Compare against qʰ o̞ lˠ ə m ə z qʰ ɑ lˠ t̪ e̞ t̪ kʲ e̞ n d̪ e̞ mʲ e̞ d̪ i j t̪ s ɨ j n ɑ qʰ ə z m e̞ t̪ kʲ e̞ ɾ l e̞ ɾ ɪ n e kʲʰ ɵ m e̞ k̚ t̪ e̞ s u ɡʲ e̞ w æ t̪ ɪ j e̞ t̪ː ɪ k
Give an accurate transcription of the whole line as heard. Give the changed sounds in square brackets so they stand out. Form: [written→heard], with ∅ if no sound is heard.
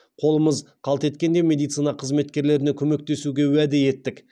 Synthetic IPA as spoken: qʰ o̞ lˠ ə m ə z qʰ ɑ lˠ t̪ e̞ t̪ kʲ e̞ n d̪ e̞ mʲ e̞ d̪ i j t̪ s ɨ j n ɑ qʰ ə z m e̞ t̪ kʲ e̞ ɾ l e̞ ɾ ɪ n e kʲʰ ɵ m e̞ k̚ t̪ e̞ s u ɡʲ e̞ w æ [t̪→d̪] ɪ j e̞ t̪ː ɪ k